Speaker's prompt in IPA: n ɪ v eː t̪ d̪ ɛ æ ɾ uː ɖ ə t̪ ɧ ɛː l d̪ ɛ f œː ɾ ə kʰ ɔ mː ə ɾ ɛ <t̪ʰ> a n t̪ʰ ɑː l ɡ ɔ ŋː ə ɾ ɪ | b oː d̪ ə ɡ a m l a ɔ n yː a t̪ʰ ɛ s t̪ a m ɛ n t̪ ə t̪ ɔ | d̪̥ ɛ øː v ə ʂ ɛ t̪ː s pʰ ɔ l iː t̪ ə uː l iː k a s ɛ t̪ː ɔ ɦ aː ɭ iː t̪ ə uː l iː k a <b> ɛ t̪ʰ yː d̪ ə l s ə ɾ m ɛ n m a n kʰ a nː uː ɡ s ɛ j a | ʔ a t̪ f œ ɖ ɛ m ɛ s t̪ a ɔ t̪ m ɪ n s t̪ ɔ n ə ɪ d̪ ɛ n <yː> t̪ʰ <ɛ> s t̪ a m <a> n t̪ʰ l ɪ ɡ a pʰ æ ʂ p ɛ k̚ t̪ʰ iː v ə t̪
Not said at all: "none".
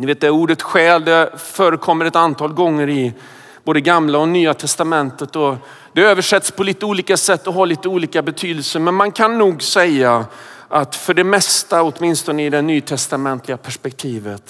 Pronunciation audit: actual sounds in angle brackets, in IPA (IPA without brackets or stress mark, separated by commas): t̪, b, yː, ɛ, ɛ